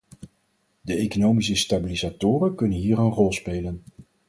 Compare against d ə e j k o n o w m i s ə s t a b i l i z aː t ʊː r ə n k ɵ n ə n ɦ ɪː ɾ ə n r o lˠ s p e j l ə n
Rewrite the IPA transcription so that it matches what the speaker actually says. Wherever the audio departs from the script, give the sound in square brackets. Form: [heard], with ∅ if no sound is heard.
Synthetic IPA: d ə e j k o n o w m i s ə s t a b i l i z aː t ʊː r ə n k ɵ n ə n ɦ [iː] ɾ ə n r [ɔ] lˠ s p e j l ə n